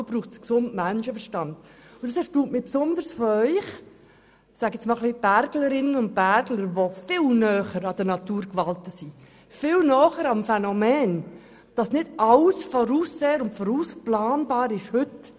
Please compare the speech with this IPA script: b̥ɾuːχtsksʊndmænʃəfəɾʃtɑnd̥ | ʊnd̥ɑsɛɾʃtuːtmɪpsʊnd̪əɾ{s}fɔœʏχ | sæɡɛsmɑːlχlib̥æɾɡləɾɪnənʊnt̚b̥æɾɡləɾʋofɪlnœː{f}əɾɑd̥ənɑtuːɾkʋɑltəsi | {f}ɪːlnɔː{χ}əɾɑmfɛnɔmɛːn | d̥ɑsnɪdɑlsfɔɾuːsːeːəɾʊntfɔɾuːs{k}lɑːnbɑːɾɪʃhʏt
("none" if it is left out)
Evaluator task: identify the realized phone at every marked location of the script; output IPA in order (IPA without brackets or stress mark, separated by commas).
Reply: s, χ, f, χ, p